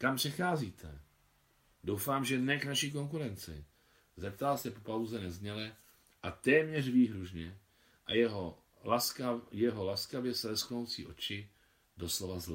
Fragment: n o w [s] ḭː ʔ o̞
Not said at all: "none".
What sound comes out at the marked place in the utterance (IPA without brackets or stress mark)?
t͡s